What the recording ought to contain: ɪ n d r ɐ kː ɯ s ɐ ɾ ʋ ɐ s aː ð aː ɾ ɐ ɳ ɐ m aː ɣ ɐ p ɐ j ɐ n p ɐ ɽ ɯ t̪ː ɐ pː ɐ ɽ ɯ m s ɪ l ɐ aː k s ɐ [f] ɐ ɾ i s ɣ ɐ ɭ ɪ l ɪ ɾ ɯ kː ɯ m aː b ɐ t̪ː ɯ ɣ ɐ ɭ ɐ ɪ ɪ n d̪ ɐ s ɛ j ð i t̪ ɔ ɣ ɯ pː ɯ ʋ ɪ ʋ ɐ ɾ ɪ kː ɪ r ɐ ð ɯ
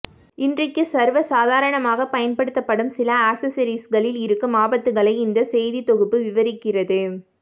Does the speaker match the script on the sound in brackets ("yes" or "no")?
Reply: no